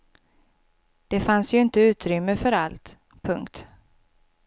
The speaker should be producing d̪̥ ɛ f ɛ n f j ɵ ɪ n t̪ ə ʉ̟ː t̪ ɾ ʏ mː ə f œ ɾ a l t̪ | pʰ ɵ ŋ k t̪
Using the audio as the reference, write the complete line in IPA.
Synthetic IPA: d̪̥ ɛ f a n s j ɵ ɪ n t̪ ə ʉ̟ː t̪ ɾ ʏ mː ə f œ ɾ a l t̪ | pʰ ɵ ŋ k t̪

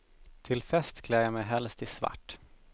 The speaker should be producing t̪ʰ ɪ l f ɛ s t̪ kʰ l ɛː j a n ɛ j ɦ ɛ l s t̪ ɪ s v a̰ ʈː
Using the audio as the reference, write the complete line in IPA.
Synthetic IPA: t̪ʰ ɪ l f ɛ s t̪ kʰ l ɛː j a m ɛ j ɦ ɛ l s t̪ ɪ s v a̰ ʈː

